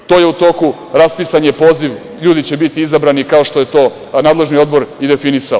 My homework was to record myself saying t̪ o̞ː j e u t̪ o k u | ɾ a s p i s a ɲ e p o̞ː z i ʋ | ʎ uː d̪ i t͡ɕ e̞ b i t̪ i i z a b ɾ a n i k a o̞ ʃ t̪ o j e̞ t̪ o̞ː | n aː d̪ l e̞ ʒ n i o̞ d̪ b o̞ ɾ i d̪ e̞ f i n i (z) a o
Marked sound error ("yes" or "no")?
yes